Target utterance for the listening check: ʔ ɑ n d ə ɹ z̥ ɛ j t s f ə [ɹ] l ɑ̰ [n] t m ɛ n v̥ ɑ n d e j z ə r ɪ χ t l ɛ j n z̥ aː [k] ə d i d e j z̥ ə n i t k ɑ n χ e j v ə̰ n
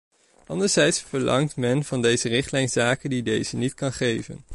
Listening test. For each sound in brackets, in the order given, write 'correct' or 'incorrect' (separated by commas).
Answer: correct, incorrect, correct